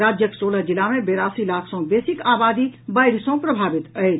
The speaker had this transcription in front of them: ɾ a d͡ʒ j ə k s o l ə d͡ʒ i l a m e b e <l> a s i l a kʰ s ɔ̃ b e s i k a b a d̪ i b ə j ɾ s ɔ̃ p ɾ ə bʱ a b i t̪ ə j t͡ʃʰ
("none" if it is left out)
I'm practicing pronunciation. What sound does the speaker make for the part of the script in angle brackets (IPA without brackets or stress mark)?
ɾ